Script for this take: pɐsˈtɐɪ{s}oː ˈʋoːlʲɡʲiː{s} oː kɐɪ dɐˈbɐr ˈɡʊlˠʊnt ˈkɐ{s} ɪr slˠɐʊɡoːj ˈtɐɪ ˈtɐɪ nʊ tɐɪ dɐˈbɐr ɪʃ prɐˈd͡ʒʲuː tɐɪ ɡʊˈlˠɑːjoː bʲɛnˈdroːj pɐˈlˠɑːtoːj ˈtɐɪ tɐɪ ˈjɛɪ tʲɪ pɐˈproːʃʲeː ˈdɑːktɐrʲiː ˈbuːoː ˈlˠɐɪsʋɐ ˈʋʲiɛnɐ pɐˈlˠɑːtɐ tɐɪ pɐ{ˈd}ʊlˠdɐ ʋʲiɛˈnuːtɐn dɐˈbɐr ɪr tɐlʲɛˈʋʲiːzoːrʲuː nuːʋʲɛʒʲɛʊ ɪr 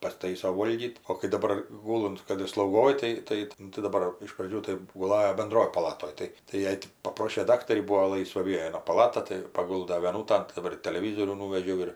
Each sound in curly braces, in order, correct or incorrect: correct, incorrect, incorrect, incorrect

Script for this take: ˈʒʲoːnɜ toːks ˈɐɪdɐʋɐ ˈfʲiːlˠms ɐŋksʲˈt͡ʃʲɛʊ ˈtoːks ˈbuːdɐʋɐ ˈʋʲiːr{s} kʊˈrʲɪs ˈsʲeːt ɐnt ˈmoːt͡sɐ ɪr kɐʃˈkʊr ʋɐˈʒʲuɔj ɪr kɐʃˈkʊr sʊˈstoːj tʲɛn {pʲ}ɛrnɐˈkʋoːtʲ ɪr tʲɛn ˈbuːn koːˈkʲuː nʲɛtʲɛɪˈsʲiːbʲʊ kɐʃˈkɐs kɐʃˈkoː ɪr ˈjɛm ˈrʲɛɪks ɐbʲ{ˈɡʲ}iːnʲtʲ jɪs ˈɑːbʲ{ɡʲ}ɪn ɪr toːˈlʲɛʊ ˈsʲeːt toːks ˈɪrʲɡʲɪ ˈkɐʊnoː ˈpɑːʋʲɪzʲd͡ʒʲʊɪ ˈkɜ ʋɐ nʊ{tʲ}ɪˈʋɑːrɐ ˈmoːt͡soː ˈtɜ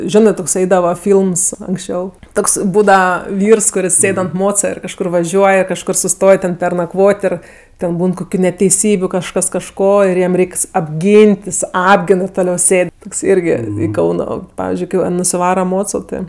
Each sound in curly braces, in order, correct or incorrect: correct, correct, correct, correct, incorrect

